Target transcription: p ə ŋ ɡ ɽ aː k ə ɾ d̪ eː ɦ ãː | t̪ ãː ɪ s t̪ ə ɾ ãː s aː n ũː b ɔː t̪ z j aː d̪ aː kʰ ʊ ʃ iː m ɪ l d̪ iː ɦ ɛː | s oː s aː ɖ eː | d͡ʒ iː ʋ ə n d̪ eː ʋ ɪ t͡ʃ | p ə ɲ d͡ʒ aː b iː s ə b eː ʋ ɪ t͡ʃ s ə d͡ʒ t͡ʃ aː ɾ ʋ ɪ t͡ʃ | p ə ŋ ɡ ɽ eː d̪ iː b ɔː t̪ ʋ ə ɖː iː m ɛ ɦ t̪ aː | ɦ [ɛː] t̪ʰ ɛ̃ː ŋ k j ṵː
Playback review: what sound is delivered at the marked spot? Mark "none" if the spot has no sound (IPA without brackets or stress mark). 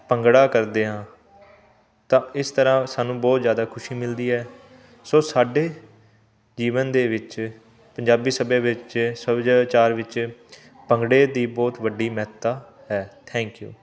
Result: ɛː